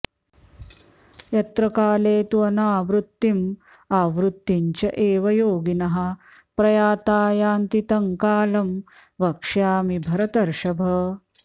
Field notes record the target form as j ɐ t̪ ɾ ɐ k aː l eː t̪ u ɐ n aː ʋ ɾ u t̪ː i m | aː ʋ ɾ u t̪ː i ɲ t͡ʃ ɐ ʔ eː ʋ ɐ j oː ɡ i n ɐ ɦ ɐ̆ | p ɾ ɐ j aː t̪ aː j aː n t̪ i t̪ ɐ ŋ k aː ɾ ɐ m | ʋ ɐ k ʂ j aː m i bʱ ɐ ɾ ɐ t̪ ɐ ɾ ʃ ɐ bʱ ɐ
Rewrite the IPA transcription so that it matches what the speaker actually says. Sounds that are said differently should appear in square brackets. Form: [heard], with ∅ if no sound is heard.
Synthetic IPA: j ɐ t̪ ɾ ɐ k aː l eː t̪ u ɐ n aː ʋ ɾ u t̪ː i m | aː ʋ ɾ u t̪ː i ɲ t͡ʃ ɐ ʔ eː ʋ ɐ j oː ɡ i n ɐ ɦ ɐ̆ | p ɾ ɐ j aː t̪ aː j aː n t̪ i t̪ ɐ ŋ k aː [l] ɐ m | ʋ ɐ k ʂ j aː m i bʱ ɐ ɾ ɐ t̪ ɐ ɾ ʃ ɐ bʱ ɐ

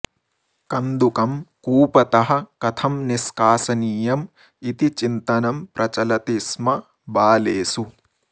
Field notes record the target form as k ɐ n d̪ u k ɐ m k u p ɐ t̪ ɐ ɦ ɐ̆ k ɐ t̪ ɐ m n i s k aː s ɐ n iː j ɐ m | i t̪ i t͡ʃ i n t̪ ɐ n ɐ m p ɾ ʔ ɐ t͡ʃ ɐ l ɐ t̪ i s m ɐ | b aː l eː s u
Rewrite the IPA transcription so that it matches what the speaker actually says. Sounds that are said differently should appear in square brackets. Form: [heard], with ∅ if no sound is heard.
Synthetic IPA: k ɐ n d̪ u k ɐ m k [uː] p ɐ t̪ ɐ ɦ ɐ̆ k ɐ [t̪ʰ] ɐ m n i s k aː s ɐ n iː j ɐ m | i t̪ i t͡ʃ i n t̪ ɐ n ɐ m p ɾ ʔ ɐ t͡ʃ ɐ l ɐ t̪ i s m ɐ | b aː l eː s u

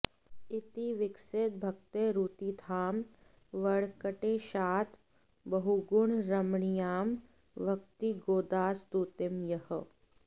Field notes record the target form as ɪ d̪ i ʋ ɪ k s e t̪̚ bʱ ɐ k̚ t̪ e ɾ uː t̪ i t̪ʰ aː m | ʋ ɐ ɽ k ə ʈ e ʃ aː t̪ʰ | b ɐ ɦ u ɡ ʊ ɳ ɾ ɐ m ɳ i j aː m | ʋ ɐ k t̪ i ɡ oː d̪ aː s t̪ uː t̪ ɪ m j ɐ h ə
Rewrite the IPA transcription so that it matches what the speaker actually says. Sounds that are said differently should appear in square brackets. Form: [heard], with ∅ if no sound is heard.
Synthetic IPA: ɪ [t̪] i ʋ ɪ k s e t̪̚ bʱ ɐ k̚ t̪ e ɾ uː t̪ i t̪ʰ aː m | ʋ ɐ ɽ k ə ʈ e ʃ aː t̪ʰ | b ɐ ɦ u ɡ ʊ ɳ ɾ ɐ m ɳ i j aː m | ʋ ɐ k t̪ i ɡ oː d̪ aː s t̪ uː t̪ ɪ m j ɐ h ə

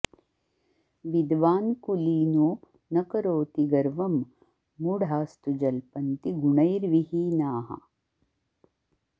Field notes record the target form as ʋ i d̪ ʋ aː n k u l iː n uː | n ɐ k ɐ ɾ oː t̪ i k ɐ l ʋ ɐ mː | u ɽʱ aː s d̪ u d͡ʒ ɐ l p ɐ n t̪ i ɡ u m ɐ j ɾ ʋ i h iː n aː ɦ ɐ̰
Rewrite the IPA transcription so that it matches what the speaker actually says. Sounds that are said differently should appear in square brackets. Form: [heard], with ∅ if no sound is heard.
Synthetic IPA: ʋ i d̪ ʋ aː n k u l iː n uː | n ɐ k ɐ ɾ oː t̪ i [ɡ] ɐ [ɾ] ʋ ɐ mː | u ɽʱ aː s [t̪] u d͡ʒ ɐ l p ɐ n t̪ i ɡ u [ɳ] ɐ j ɾ ʋ i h iː n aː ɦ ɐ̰

